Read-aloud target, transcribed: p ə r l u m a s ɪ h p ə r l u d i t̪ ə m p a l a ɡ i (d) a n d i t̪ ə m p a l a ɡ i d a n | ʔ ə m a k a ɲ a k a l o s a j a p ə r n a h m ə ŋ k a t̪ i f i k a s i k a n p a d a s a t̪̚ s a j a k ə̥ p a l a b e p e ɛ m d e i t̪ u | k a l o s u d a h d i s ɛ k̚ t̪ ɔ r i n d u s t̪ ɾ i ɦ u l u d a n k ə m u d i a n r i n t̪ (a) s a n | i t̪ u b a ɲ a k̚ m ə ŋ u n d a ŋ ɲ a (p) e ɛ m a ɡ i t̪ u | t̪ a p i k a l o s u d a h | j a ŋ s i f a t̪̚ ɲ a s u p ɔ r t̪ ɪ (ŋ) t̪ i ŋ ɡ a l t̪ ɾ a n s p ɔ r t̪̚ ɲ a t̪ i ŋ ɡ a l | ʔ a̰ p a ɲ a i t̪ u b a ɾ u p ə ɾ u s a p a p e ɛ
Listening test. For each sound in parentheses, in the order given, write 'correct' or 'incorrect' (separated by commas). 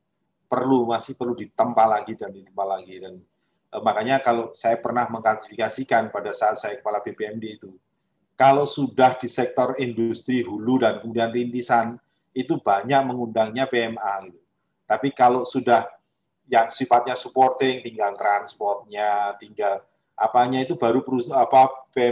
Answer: correct, incorrect, correct, correct